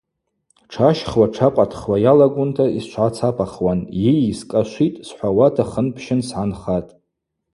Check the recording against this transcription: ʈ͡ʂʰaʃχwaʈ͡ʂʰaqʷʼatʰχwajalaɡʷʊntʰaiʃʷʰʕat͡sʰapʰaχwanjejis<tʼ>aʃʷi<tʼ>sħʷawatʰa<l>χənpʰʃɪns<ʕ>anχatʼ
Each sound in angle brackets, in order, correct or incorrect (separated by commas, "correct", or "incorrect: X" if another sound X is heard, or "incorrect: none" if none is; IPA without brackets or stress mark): incorrect: kʼ, correct, incorrect: none, correct